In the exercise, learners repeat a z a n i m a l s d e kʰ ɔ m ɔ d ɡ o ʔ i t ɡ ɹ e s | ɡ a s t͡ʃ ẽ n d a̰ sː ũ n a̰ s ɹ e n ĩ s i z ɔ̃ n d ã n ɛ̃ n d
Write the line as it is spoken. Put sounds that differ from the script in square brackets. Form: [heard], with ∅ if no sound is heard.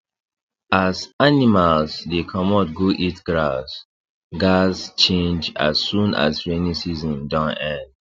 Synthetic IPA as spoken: a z a n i m a l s d e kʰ ɔ m ɔ [t] ɡ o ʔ i t ɡ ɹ [a] s | ɡ a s t͡ʃ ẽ n [d͡ʒ] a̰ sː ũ n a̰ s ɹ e n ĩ s i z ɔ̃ n d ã n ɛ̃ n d